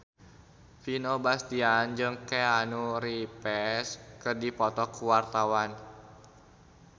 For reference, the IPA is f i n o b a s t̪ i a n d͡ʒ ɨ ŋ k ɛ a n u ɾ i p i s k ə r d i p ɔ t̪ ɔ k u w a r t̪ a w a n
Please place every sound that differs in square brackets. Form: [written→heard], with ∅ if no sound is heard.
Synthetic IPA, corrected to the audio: f i n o b a s t̪ i a n d͡ʒ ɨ ŋ k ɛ a n u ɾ i p [i→ɛ] s k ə r d i p ɔ t̪ ɔ k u w a r t̪ a w a n